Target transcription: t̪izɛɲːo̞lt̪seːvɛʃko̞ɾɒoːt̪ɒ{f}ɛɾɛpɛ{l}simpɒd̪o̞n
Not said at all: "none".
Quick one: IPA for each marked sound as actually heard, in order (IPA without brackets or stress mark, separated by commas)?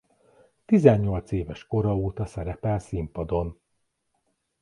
s, l